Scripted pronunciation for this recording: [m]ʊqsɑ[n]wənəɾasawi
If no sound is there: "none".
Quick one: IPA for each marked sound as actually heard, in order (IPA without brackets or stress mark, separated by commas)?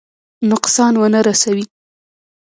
n, n